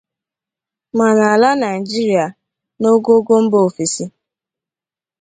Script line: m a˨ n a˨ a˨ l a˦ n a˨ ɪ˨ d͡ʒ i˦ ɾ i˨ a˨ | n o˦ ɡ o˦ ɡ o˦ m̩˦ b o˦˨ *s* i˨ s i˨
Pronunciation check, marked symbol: incorrect: f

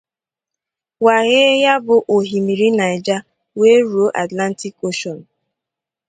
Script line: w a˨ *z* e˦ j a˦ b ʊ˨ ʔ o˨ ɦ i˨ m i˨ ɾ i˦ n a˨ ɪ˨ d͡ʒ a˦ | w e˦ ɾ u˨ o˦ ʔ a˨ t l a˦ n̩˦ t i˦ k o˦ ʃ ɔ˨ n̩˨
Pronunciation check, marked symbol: incorrect: ɣ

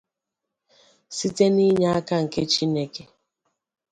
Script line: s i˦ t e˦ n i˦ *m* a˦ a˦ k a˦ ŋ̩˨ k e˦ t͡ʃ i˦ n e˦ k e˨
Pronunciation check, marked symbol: incorrect: ɲ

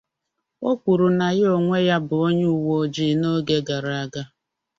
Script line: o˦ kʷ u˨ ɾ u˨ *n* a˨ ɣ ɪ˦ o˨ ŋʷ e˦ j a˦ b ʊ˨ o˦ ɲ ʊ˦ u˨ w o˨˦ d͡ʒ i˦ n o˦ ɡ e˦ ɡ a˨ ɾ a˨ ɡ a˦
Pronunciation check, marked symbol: correct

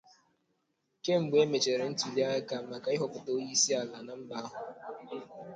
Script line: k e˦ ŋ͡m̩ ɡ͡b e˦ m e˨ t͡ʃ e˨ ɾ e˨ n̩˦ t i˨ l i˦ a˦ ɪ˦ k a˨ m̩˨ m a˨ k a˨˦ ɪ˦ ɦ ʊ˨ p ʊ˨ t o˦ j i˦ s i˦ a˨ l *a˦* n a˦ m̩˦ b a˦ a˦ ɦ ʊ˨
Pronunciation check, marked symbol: incorrect: a˨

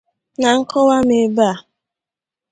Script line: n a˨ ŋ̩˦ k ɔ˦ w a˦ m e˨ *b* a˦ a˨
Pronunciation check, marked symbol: correct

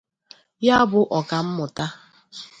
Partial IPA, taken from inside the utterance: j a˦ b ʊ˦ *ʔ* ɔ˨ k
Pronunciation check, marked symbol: correct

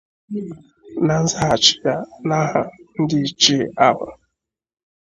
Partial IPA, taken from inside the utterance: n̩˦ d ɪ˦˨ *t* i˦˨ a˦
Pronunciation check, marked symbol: incorrect: t͡ʃ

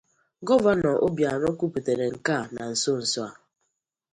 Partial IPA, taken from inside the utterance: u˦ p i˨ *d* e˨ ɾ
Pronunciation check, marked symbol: incorrect: t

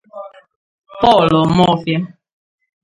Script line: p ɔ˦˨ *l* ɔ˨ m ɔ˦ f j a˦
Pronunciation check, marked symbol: correct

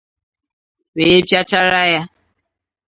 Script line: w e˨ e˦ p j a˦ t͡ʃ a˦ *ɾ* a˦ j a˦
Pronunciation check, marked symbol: correct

